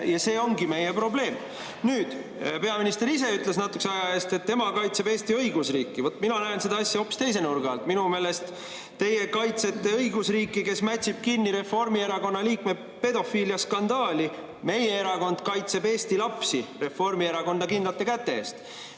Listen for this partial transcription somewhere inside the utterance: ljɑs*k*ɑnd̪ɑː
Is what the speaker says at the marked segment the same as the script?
yes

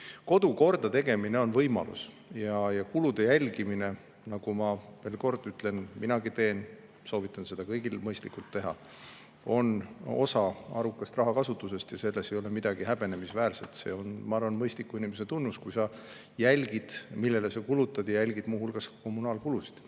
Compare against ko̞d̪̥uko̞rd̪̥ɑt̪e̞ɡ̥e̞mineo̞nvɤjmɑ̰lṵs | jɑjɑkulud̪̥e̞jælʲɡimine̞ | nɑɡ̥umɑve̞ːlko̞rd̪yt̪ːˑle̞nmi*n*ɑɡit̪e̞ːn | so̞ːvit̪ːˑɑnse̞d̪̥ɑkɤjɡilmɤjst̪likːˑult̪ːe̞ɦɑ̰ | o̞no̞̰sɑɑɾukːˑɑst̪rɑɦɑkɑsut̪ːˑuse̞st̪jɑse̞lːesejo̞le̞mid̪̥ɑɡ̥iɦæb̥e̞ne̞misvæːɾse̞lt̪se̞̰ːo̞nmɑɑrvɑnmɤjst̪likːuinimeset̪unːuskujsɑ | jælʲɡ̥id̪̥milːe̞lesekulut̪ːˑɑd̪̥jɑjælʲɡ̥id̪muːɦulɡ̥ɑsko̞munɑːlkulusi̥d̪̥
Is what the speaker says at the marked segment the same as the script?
yes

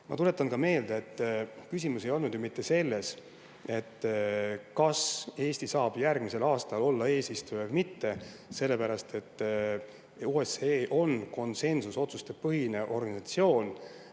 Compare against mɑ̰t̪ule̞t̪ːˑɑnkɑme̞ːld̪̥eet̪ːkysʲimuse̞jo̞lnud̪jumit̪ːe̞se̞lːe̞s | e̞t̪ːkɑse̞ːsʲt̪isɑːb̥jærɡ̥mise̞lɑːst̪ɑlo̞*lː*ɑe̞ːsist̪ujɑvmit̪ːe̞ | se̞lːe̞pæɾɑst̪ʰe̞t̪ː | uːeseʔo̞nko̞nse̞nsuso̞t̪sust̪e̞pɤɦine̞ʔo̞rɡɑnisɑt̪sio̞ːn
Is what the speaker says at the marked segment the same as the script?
yes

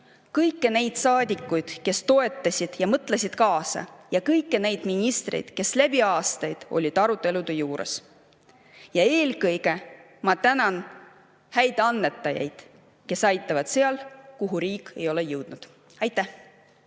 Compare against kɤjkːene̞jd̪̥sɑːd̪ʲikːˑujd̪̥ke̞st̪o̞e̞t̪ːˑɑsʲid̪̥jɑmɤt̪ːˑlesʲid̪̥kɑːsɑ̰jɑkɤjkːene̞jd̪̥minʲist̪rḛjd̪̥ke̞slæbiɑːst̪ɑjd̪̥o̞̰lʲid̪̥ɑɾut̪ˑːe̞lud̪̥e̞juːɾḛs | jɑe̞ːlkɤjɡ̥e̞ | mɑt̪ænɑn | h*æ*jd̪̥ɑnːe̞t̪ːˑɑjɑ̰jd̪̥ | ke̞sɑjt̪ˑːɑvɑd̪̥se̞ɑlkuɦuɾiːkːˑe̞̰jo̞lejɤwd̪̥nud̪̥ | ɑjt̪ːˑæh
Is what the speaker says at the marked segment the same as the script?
yes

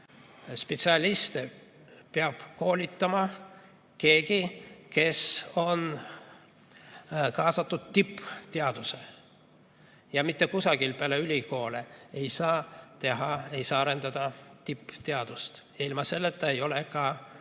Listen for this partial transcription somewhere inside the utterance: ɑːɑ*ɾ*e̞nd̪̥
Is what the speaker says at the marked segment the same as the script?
yes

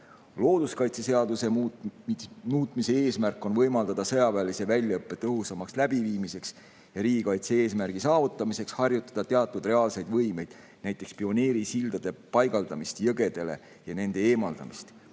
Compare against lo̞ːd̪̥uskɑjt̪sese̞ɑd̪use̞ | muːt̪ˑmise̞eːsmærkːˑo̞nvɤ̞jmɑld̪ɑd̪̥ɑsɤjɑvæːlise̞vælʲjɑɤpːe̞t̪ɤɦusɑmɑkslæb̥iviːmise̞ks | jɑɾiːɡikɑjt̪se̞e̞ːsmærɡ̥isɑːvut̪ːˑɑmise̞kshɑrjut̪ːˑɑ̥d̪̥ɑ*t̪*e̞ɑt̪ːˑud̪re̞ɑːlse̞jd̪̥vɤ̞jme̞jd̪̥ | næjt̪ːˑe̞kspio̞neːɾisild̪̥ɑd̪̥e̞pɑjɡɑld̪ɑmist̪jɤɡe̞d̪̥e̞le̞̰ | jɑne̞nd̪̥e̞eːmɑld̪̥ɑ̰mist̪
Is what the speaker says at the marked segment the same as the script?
yes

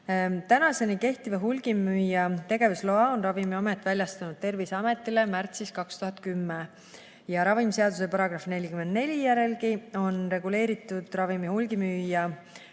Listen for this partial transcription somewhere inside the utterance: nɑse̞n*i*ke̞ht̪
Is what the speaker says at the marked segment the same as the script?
yes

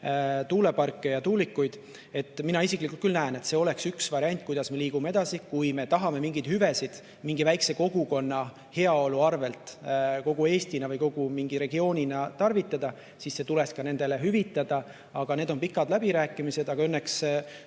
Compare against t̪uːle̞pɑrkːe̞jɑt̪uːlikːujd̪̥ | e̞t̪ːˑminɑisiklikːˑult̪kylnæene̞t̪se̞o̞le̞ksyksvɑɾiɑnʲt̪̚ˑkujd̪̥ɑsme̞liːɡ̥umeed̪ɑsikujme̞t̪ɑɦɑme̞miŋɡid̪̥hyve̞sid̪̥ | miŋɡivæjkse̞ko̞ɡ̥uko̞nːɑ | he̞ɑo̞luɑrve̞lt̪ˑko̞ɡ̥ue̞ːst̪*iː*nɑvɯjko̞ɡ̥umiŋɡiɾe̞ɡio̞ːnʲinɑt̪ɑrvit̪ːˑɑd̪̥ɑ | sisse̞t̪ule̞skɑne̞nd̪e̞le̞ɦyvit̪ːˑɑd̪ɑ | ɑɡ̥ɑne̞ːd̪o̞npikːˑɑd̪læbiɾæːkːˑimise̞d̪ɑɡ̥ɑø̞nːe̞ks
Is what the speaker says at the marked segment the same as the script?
no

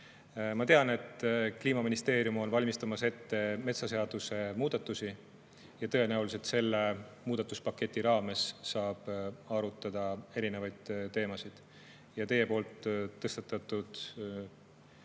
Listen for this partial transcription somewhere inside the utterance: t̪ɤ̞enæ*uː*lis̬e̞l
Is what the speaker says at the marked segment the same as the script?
no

